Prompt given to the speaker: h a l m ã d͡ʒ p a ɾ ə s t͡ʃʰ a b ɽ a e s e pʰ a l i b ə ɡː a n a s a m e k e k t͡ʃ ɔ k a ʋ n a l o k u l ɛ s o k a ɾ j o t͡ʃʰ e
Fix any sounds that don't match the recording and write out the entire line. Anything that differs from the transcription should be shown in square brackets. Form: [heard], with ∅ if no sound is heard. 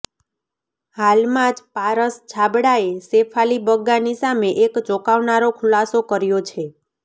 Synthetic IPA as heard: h a l m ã d͡ʒ p a ɾ ə s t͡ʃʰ a b ɽ a e s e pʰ a l i b ə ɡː a n [i] s a m e [ʔ] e k t͡ʃ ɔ k a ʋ n a [ɾ] o [kʰ] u l [a] s o k [ə] ɾ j o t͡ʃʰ e